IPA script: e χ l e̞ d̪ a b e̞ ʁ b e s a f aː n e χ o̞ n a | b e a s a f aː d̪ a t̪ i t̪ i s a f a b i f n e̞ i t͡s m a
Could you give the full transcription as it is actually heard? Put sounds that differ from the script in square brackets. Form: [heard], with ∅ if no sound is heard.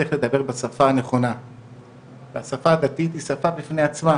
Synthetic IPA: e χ l e̞ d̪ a b e̞ ʁ b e s a f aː n e χ o̞ n a | [v] e a s a f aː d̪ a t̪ i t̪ i s a f a b i f n e̞ [a] t͡s m a